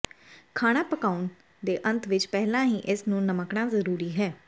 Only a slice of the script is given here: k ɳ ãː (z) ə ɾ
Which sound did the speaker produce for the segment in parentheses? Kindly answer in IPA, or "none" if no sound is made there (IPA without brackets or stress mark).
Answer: z